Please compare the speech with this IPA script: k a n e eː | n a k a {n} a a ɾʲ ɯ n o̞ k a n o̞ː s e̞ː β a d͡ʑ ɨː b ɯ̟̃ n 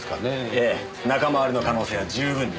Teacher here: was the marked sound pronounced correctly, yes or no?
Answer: no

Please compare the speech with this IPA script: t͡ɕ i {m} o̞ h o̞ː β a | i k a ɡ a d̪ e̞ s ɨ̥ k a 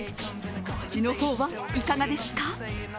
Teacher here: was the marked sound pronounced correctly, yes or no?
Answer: no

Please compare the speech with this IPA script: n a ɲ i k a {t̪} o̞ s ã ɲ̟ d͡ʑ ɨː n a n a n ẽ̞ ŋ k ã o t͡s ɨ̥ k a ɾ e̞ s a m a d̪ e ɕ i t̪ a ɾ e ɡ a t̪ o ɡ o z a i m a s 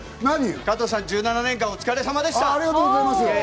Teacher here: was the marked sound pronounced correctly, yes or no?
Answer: yes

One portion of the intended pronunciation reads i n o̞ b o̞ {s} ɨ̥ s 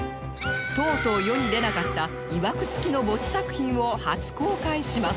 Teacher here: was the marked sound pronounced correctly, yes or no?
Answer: no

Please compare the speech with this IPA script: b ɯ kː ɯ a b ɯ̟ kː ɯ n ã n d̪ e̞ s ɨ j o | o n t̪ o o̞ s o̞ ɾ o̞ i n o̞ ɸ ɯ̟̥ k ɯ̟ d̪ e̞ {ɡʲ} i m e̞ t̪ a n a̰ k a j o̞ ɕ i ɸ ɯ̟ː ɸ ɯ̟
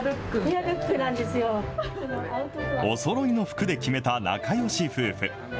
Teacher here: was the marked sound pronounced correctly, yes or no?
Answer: no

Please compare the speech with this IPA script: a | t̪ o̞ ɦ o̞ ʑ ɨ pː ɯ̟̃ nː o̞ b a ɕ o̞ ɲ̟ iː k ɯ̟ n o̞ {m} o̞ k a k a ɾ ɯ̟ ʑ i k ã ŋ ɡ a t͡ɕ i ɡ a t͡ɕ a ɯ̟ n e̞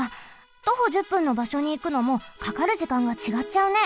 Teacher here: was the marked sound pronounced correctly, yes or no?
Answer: yes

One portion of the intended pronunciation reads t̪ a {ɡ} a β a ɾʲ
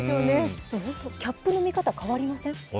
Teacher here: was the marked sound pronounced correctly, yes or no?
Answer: no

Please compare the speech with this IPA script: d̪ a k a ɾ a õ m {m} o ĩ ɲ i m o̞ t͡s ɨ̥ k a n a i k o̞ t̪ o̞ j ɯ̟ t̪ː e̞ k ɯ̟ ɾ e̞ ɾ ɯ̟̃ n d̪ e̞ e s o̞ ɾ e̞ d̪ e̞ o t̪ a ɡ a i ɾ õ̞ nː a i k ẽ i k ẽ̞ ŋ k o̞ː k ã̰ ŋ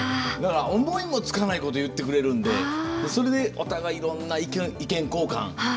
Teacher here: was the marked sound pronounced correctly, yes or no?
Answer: no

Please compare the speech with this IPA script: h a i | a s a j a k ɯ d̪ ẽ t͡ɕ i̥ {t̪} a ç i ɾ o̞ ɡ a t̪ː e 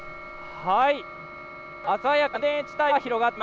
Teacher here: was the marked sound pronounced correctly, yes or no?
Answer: yes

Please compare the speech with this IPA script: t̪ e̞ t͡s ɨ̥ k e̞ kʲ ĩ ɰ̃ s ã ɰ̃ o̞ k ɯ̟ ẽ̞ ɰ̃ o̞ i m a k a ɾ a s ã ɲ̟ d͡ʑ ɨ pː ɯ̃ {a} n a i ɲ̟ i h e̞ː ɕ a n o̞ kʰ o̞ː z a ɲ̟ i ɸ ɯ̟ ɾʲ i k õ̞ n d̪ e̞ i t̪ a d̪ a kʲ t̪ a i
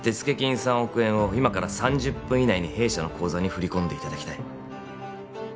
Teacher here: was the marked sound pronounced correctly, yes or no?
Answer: no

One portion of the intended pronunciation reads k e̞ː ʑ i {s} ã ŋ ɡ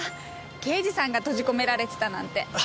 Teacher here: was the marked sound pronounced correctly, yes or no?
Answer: yes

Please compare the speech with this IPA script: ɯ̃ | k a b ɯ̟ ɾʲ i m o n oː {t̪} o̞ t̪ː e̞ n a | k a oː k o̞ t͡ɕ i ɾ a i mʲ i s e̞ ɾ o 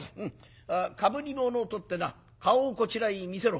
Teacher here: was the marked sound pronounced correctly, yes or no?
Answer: yes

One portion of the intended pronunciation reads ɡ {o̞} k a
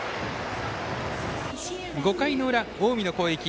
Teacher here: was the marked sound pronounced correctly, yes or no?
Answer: yes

